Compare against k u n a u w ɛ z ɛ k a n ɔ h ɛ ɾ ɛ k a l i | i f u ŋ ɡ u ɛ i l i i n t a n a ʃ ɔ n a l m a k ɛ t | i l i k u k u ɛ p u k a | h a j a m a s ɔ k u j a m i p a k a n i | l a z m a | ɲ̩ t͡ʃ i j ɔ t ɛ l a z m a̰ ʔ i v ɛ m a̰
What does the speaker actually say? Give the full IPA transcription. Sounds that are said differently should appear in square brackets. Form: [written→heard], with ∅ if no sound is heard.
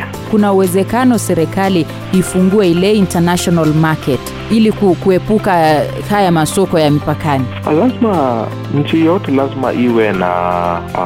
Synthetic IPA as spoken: k u n a u w ɛ z ɛ k a n ɔ [h→s] ɛ ɾ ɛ k a l i | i f u ŋ ɡ u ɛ i l [i→ɛ] i n t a n a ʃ ɔ n a l m a k ɛ t | i l i k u k u ɛ p u k a | h a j a m a s ɔ k [u→ɔ] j a m i p a k a n i | l a z m a | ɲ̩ t͡ʃ i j ɔ t ɛ l a z m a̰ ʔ i [v→w] ɛ [m→n] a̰